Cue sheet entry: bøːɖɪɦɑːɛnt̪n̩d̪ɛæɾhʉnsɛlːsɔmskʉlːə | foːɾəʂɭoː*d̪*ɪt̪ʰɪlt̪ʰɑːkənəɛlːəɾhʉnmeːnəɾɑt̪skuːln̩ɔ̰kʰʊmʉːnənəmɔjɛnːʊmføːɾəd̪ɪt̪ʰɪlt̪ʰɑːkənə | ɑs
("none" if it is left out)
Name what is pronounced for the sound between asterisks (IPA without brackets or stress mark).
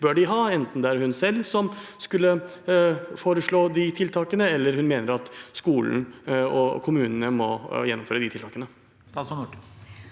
d̪